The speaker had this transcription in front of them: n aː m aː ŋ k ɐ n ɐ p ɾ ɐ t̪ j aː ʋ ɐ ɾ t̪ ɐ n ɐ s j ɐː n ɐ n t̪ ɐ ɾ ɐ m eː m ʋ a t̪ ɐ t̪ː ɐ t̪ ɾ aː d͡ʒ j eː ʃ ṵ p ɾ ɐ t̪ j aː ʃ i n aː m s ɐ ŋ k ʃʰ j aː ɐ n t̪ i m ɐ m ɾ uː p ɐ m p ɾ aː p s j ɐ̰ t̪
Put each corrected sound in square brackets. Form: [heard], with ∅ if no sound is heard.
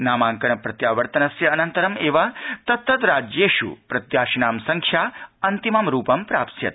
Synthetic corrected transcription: n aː m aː ŋ k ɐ n ɐ p ɾ ɐ t̪ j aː ʋ ɐ ɾ t̪ ɐ n ɐ s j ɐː n ɐ n t̪ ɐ ɾ ɐ m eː [∅] ʋ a t̪ ɐ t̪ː ɐ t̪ ɾ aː d͡ʒ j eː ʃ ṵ p ɾ ɐ t̪ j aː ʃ i n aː m s ɐ ŋ k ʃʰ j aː ɐ n t̪ i m ɐ m ɾ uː p ɐ m p ɾ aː p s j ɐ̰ t̪